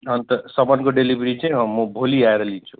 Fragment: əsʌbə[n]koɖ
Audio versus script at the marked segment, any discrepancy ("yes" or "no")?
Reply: no